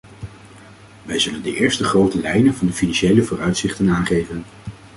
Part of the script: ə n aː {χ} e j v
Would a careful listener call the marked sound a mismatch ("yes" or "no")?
no